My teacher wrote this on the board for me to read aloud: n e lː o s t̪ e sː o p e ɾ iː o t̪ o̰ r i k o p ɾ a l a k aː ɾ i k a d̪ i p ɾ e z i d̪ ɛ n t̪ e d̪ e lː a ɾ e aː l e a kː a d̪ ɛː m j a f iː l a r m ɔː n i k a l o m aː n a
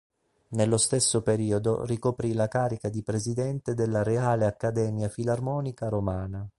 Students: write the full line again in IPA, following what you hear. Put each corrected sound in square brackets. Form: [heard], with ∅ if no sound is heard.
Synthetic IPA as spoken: n e lː o s t̪ e sː o p e ɾ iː o [d̪] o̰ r i k o p ɾ [i] l a k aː ɾ i k a d̪ i p ɾ e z i d̪ ɛ n t̪ e d̪ e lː a ɾ e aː l e a kː a d̪ ɛː m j a f [i] l a r m ɔː n i k a [ɾ] o m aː n a